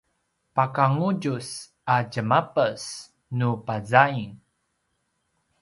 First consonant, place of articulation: labial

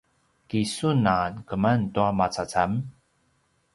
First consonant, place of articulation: velar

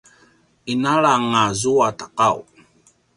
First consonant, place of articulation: alveolar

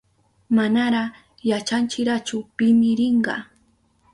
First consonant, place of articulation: labial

